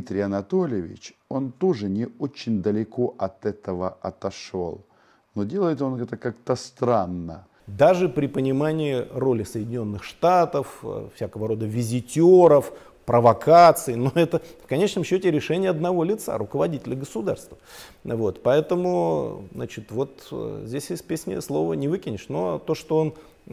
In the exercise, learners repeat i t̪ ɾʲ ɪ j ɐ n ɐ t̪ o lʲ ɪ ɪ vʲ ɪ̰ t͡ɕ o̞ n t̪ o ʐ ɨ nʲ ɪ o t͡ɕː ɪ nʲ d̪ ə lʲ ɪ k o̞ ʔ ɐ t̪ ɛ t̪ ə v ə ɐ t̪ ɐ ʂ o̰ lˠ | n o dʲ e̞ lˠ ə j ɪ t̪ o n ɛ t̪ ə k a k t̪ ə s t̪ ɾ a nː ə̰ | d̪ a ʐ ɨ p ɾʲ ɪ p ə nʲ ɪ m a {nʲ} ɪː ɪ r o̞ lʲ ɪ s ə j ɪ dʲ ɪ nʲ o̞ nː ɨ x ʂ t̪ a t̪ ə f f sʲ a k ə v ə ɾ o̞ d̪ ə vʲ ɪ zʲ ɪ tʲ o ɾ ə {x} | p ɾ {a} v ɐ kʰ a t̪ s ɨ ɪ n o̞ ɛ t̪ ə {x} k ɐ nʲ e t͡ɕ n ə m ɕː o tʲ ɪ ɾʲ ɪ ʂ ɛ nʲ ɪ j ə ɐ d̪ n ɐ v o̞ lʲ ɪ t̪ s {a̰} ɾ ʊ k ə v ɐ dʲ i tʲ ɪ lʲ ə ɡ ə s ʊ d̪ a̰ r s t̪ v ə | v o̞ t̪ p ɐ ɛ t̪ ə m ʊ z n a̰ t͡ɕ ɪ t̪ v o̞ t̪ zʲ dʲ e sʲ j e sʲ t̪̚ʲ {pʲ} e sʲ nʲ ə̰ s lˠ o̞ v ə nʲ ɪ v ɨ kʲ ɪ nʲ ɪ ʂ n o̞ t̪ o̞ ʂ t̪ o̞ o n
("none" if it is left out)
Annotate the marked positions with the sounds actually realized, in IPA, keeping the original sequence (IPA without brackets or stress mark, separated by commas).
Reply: nʲ, f, ə, f, a̰, pʲ